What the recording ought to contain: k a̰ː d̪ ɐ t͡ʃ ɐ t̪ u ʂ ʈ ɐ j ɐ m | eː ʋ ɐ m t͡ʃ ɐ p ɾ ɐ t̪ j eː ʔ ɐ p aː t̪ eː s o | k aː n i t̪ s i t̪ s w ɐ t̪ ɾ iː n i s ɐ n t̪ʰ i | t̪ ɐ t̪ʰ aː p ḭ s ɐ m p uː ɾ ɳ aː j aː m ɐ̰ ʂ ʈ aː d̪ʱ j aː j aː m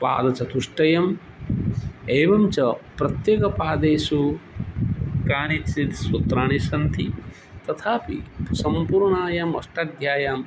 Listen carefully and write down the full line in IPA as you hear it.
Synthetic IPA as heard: p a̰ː d̪ ɐ t͡ʃ ɐ t̪ u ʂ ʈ ɐ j ɐ m | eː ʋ ɐ m t͡ʃ ɐ p ɾ ɐ t̪ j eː k ɐ p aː d̪ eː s u | k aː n i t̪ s i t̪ s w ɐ t̪ ɾ aː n i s ɐ n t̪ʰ i | t̪ ɐ t̪ʰ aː p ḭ s ɐ m p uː ɾ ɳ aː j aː m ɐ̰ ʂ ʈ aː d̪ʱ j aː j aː m

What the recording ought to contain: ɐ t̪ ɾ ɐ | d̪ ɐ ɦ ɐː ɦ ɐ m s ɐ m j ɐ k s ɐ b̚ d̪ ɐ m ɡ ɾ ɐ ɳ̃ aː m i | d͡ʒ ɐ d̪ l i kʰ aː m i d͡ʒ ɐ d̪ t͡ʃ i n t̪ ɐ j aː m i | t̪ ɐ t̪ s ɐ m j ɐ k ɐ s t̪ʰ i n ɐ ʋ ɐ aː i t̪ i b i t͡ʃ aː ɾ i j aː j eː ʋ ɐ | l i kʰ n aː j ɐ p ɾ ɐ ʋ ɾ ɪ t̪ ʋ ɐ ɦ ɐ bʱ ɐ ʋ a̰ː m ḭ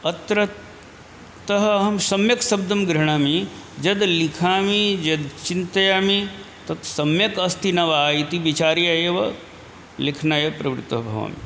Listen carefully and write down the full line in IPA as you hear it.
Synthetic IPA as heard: ɐ t̪ ɾ ɐ | t̪ ɐ ɦ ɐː ɦ ɐ m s ɐ m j ɐ k s ɐ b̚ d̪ ɐ m ɡ ɾ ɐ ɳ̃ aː m i | d͡ʒ ɐ d̪ l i kʰ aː m i d͡ʒ ɐ d̪ t͡ʃ i n t̪ ɐ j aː m i | t̪ ɐ t̪ s ɐ m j ɐ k ɐ s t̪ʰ i n ɐ ʋ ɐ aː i t̪ i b i t͡ʃ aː ɾ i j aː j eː ʋ ɐ | l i kʰ n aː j ɐ p ɾ ɐ ʋ ɾ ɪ t̪ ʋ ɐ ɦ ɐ bʱ ɐ ʋ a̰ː m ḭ

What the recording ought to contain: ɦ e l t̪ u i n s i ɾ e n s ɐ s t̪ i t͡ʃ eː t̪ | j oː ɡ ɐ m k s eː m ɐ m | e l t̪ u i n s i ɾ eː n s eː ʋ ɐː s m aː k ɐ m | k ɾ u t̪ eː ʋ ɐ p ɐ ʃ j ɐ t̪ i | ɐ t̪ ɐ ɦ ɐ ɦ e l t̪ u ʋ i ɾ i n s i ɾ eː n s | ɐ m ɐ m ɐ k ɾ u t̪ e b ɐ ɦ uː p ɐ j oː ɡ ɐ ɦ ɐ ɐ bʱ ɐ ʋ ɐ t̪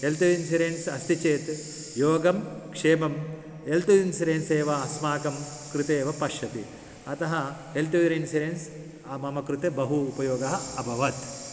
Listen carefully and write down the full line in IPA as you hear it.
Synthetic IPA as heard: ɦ e l t̪ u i n s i ɾ e n s ɐ s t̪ i t͡ʃ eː t̪ | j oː ɡ ɐ m k ʂ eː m ɐ m | e l t̪ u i n s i ɾ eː n s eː ʋ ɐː s m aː k ɐ m | k ɾ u t̪ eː ʋ ɐ p ɐ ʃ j ɐ t̪ i | ɐ t̪ ɐ ɦ ɐ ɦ e l t̪ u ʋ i ɾ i n s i ɾ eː n s | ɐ m ɐ m ɐ k ɾ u t̪ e b ɐ ɦ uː p ɐ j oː ɡ ɐ ɦ ɐ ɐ bʱ ɐ ʋ ɐ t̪

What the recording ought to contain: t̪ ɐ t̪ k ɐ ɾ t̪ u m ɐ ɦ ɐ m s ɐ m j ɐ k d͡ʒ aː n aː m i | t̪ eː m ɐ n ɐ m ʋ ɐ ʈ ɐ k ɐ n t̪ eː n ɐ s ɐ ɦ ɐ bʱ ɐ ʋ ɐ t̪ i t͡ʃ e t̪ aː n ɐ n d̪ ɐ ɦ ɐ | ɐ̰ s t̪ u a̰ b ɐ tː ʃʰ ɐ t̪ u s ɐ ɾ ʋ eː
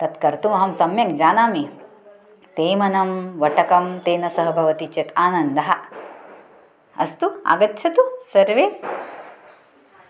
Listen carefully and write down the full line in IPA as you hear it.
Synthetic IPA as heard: t̪ ɐ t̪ k ɐ ɾ t̪ u m ɐ ɦ ɐ m s ɐ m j ɐ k d͡ʒ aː n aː m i | t̪ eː m ɐ n ɐ m ʋ ɐ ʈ ɐ k ɐ m t̪ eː n ɐ s ɐ ɦ ɐ bʱ ɐ ʋ ɐ t̪ i t͡ʃ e t̪ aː n ɐ n d̪ ɐ ɦ ɐ | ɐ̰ s t̪ u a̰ ɡ ɐ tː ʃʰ ɐ t̪ u s ɐ ɾ ʋ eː

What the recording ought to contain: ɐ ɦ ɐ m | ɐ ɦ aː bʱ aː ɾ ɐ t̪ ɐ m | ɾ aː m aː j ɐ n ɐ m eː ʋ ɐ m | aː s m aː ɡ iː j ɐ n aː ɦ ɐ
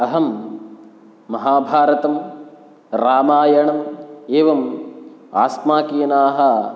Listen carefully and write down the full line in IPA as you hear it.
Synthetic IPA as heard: ɐ ɦ ɐ m | ɐ ɦ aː bʱ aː ɾ ɐ t̪ ɐ m | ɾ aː m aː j ɐ ɳ ɐ m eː ʋ ɐ m | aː s m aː k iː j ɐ n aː ɦ ɐ

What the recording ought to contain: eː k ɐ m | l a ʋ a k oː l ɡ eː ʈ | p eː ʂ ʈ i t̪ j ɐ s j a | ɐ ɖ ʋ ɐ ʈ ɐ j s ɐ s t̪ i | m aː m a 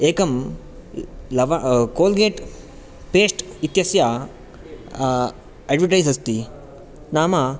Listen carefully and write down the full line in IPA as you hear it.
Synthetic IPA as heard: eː k ɐ m | l ɐ ʋ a k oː l ɡ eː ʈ | p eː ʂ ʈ i t̪ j ɐ s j a | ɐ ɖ ʋ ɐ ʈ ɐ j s ɐ s t̪ i | n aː m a

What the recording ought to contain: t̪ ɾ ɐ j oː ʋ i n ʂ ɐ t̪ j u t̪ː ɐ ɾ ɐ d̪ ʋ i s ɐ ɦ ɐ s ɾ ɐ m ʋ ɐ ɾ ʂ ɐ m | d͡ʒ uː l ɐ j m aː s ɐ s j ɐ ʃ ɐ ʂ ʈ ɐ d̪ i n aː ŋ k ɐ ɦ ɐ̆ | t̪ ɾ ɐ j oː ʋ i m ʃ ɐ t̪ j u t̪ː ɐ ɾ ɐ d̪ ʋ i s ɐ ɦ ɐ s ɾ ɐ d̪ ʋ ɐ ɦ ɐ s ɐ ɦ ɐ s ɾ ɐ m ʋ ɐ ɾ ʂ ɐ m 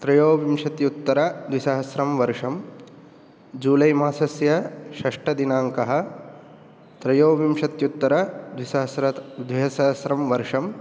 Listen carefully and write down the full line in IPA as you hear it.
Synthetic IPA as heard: t̪ ɾ ɐ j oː ʋ i m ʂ ɐ t̪ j u t̪ː ɐ ɾ ɐ d̪ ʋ i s ɐ ɦ ɐ s ɾ ɐ m ʋ ɐ ɾ ʂ ɐ m | d͡ʒ uː l ɐ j m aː s ɐ s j ɐ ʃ ɐ ʂ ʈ ɐ d̪ i n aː ŋ k ɐ ɦ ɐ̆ | t̪ ɾ ɐ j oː ʋ i m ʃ ɐ t̪ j u t̪ː ɐ ɾ ɐ d̪ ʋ i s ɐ ɦ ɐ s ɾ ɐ d̪ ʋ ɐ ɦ ɐ s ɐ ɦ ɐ s ɾ ɐ m ʋ ɐ ɾ ʂ ɐ m

